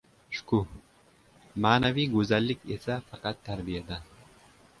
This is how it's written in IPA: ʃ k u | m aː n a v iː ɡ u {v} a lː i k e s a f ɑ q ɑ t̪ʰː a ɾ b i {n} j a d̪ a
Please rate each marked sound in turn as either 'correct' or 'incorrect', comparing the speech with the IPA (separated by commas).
incorrect, incorrect